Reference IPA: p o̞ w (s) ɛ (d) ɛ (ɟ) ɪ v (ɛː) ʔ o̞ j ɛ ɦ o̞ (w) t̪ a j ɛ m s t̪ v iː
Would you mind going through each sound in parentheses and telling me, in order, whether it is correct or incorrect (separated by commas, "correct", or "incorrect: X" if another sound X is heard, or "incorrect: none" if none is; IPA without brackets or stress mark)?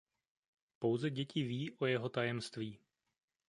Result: incorrect: z, incorrect: ɟ, incorrect: c, incorrect: iː, incorrect: none